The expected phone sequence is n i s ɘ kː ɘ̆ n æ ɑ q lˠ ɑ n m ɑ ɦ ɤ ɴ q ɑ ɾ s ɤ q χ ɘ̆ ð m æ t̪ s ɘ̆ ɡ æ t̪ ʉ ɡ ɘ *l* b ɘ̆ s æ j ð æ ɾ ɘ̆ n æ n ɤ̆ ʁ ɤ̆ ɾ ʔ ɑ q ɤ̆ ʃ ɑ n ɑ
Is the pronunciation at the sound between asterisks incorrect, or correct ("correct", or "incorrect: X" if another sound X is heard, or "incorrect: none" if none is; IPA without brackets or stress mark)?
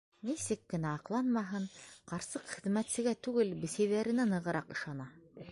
correct